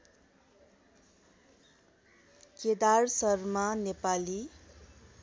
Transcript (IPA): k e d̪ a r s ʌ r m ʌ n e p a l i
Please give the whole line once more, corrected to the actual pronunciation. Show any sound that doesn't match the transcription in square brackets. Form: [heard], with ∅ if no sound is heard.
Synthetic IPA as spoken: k e d̪ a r s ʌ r m [a] n e p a l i